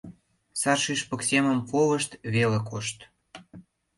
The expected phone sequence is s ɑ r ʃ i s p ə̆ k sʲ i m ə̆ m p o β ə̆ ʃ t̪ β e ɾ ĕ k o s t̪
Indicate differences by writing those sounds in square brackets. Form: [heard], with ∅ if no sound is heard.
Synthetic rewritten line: s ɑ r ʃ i [ʃ] p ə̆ k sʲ [e] m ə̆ m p o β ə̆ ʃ t̪ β e [l] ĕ k o [ʃ] t̪